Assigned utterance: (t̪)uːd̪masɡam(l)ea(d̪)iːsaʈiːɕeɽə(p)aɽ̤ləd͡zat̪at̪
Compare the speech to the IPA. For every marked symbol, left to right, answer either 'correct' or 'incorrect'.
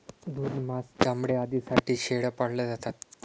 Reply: incorrect: d̪, incorrect: ɽ, correct, correct

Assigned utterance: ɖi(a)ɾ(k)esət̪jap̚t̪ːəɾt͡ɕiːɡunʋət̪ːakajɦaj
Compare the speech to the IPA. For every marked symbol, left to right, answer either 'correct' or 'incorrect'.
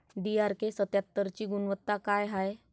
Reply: correct, correct

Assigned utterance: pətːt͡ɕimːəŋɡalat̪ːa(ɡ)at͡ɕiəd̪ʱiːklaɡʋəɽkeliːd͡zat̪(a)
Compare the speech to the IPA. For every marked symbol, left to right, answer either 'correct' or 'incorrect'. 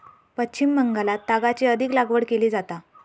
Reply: correct, correct

